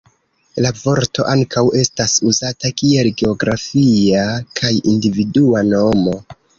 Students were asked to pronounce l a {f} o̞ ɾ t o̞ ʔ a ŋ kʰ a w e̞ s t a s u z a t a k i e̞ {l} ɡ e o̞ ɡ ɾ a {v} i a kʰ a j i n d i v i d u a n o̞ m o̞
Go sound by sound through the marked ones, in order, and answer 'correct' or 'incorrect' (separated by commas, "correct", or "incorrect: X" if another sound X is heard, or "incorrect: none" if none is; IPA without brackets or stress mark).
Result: incorrect: v, correct, incorrect: f